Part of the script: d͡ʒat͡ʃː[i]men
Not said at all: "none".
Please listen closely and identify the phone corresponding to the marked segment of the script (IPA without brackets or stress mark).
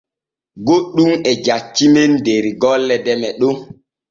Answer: i